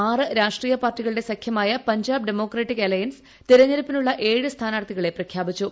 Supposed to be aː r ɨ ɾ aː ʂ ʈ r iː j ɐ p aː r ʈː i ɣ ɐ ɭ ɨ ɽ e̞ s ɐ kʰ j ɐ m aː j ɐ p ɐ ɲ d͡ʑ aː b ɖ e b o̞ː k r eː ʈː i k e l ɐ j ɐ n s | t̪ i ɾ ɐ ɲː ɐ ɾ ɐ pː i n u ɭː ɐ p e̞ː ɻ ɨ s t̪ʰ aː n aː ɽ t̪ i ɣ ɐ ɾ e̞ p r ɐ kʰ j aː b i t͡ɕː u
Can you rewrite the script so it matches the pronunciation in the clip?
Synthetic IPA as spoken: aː r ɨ ɾ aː ʂ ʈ r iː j ɐ p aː r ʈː i ɣ ɐ ɭ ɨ ɽ e̞ s ɐ kʰ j ɐ m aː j ɐ p ɐ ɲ d͡ʑ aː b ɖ e m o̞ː k r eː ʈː i k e l ɐ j ɐ n s | t̪ i ɾ ɐ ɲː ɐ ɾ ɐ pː i n u ɭː ɐ ʔ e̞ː ɻ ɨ s t̪ʰ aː n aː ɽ t̪ i ɣ ɐ ɭ e̞ p r ɐ kʰ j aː b i t͡ɕː u